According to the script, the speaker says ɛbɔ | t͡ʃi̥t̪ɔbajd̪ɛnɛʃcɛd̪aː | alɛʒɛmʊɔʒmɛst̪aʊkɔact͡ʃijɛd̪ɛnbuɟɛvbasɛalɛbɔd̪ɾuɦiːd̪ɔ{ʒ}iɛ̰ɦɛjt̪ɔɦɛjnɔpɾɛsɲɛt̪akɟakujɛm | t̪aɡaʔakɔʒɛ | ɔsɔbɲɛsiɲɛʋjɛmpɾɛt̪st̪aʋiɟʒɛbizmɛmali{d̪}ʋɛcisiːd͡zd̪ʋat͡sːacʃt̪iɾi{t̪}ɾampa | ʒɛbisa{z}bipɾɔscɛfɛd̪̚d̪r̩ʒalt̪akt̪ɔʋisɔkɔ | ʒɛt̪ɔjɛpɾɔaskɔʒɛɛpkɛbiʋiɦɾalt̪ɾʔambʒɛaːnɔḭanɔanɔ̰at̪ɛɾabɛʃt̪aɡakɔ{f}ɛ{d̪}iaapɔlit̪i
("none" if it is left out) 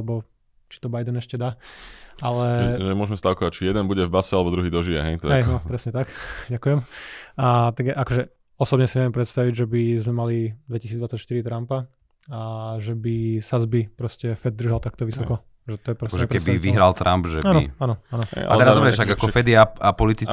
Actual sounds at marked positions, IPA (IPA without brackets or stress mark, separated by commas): ʒ, d̪, t̪, z, f, d̪